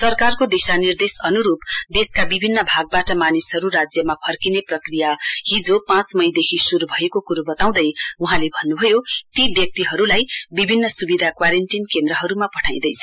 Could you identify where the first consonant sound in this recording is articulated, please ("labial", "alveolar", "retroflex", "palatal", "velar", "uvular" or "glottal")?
alveolar